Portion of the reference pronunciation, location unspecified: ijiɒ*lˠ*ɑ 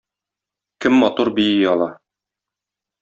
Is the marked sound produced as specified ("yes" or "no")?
yes